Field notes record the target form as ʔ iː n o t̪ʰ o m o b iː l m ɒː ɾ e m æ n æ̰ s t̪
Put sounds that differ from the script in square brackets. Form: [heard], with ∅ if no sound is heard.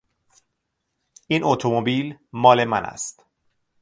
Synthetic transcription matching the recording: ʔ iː n o t̪ʰ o m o b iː l m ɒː [l] e m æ n æ̰ s t̪